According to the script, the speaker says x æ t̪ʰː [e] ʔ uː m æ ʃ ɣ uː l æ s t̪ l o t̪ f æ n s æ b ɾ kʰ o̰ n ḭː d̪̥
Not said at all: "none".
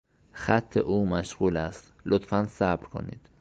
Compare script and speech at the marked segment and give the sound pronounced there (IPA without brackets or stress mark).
e